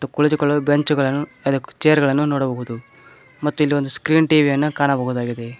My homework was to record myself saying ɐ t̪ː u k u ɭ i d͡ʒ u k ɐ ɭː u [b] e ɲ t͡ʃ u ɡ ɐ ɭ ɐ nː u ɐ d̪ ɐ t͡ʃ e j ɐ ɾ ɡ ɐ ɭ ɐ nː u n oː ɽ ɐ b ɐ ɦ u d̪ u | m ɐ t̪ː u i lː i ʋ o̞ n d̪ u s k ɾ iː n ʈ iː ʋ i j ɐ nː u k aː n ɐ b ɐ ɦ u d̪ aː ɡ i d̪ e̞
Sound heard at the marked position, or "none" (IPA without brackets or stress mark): b